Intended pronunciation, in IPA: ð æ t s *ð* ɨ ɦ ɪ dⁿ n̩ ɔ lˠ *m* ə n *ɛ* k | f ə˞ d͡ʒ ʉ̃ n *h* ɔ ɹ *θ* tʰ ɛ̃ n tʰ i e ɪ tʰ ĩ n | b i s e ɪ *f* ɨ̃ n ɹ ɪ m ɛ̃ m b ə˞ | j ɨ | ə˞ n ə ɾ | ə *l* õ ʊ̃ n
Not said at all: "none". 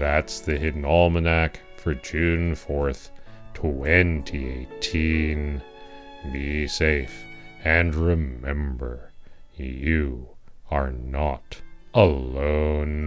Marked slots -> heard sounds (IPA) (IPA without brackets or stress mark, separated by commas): ð, m, æ, f, θ, f, l